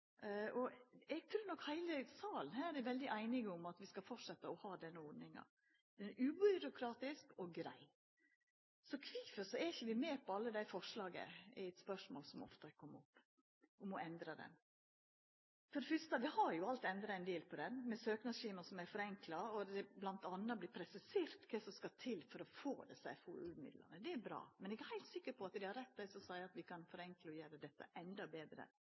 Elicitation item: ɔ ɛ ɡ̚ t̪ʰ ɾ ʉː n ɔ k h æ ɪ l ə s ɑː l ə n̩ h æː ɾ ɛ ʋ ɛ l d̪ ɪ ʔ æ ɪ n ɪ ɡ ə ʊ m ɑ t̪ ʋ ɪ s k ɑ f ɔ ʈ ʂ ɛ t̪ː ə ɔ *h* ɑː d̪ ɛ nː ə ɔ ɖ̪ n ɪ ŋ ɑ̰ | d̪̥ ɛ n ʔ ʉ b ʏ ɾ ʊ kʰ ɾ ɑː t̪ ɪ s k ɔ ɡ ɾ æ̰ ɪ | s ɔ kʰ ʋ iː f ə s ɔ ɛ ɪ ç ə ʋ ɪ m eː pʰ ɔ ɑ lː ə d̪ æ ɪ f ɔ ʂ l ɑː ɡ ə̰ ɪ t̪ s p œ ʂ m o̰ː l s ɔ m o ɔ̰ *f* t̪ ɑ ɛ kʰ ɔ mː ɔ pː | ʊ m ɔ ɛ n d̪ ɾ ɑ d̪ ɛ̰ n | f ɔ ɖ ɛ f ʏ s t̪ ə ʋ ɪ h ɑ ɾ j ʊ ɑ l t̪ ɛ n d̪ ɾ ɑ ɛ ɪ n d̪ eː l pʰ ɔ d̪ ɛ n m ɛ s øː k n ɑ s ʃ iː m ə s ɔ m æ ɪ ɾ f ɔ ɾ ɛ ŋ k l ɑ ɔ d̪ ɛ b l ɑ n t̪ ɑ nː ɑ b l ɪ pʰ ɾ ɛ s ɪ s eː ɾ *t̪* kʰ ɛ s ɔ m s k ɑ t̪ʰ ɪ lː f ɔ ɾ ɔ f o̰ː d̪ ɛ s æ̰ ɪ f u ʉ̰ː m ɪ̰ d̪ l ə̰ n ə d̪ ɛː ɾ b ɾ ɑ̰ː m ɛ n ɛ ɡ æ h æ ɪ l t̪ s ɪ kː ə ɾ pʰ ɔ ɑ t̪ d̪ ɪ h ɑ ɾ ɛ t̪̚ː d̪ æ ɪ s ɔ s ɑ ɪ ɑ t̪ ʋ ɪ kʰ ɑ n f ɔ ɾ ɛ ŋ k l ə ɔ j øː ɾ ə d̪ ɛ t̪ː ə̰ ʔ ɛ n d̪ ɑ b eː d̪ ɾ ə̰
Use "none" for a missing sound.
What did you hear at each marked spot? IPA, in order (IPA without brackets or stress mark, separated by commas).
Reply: h, f, t̪